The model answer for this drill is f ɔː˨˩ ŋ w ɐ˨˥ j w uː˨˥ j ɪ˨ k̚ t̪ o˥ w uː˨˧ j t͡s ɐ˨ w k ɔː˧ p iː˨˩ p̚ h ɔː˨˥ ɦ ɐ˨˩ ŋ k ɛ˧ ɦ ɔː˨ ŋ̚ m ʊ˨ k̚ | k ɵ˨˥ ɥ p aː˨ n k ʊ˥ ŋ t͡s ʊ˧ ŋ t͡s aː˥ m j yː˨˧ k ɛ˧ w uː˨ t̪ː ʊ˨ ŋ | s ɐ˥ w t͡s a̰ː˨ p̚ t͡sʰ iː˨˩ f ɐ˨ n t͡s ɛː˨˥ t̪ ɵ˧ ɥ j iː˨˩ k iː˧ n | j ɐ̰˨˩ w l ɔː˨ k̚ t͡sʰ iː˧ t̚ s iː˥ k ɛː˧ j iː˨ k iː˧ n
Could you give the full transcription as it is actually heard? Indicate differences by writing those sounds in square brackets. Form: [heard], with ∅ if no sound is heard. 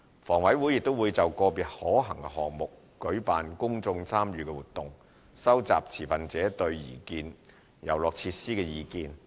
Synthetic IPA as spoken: f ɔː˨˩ ŋ w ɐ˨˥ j w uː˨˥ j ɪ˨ k̚ t̪ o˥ w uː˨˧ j t͡s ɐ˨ w k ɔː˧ p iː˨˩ [t̚] h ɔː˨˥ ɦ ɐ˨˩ ŋ k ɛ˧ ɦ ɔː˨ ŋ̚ m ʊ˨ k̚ | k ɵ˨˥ ɥ p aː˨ n k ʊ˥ ŋ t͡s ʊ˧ ŋ [t͡sʰ] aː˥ m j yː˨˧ k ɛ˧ w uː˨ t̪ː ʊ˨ ŋ | s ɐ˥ w t͡s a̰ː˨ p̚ t͡sʰ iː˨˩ f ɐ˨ n t͡s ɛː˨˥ t̪ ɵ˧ ɥ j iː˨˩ k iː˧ n | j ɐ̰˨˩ w l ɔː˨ k̚ t͡sʰ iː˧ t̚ s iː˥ k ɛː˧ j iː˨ k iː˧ n

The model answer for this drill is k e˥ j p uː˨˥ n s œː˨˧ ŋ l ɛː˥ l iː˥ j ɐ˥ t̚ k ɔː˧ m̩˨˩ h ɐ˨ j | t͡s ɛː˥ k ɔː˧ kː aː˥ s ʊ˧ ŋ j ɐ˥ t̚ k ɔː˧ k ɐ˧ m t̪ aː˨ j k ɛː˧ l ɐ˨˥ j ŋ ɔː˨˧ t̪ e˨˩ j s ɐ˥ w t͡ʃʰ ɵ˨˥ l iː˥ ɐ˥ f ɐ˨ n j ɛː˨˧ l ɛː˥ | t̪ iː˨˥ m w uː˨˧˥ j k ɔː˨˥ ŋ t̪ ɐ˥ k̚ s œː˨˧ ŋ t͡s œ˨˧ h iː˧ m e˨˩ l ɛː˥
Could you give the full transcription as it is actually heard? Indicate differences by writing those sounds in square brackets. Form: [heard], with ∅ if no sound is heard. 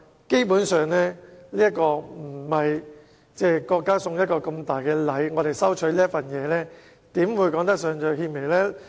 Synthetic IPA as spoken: k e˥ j p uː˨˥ n s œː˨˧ ŋ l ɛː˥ l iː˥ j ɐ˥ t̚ k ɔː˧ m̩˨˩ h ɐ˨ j | t͡s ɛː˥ k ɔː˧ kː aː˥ s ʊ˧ ŋ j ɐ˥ t̚ k ɔː˧ k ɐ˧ m t̪ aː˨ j k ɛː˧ l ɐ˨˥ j ŋ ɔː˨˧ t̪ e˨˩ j s ɐ˥ w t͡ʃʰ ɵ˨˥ l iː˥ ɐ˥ f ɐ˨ n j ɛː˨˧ l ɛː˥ | t̪ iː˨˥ m w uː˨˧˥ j k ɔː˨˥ ŋ t̪ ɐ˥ k̚ s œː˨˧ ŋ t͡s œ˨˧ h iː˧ m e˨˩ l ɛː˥

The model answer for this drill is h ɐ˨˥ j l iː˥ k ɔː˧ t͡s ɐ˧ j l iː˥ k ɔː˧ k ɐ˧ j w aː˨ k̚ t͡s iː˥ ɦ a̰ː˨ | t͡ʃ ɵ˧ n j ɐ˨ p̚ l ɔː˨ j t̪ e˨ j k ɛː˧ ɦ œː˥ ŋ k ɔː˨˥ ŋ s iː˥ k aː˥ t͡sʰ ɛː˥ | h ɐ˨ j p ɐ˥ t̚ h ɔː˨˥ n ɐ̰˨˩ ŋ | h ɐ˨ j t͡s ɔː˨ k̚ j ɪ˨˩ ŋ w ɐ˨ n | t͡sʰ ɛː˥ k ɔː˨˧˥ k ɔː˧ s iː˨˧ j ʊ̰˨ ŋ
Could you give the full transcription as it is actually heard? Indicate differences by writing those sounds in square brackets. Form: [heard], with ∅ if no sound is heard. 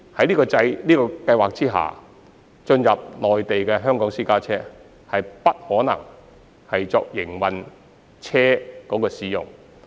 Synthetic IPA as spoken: h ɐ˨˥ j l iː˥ k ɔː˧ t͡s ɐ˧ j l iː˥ k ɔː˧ k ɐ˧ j w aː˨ k̚ t͡s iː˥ ɦ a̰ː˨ | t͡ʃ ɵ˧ n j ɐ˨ p̚ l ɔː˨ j t̪ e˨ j k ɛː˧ ɦ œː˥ ŋ k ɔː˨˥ ŋ s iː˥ k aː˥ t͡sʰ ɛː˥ | h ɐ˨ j p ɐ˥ t̚ h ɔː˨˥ n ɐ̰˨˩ ŋ | h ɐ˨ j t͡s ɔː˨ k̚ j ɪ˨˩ ŋ w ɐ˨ n | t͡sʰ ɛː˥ k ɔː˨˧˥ k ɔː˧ s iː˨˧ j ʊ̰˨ ŋ

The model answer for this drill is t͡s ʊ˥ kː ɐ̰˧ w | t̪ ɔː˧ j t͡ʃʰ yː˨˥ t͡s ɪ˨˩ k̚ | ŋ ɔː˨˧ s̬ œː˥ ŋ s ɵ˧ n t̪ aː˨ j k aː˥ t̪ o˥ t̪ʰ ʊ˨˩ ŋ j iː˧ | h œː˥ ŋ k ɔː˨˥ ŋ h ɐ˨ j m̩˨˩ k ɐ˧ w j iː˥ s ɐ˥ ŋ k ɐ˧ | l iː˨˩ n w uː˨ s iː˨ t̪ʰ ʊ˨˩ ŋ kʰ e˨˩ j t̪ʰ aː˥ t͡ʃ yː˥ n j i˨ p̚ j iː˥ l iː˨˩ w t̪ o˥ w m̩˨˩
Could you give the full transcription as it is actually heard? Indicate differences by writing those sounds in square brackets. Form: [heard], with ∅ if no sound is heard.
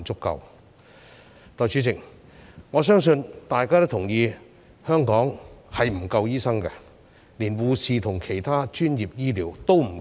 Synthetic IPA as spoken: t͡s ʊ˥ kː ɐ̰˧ w | t̪ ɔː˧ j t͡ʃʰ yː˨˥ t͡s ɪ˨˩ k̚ | ŋ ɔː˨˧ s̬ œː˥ ŋ s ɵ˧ n t̪ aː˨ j k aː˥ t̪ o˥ t̪ʰ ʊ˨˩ ŋ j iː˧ | h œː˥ ŋ k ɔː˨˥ ŋ h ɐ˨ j m̩˨˩ k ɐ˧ w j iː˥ s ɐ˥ ŋ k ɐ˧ | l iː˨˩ n w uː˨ s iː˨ t̪ʰ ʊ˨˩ ŋ kʰ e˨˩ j t̪ʰ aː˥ t͡ʃ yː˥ n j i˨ p̚ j iː˥ l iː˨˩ w t̪ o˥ w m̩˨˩

